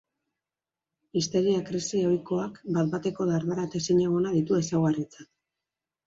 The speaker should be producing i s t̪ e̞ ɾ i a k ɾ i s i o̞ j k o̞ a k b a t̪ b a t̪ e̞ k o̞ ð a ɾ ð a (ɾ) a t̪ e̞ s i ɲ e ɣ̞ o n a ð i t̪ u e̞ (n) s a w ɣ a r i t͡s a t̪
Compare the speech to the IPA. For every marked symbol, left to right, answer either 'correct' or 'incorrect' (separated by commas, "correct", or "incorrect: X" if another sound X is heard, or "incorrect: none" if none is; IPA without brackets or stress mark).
correct, incorrect: none